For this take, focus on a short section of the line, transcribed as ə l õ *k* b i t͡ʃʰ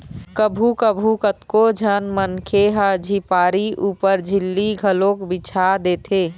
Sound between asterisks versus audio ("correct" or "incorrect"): correct